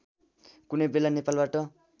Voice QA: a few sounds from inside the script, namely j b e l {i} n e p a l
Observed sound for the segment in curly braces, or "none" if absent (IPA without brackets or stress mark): a